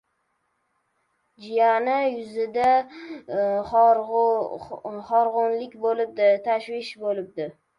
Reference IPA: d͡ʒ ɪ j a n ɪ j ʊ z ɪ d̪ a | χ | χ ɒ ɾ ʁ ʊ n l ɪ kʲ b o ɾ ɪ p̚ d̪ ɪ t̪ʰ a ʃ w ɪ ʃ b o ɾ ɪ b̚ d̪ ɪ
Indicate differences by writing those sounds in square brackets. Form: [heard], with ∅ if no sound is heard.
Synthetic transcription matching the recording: d͡ʒ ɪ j a n ɪ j ʊ z ɪ d̪ a | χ | χ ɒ ɾ ʁ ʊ n l ɪ kʲ b o [l] ɪ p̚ d̪ ɪ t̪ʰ a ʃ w ɪ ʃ b o [l] ɪ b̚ d̪ ɪ